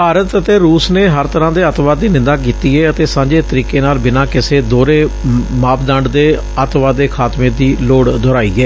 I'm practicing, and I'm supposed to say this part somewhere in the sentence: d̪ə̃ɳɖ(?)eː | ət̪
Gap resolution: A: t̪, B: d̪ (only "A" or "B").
B